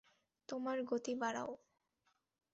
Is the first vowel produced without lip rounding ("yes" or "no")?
no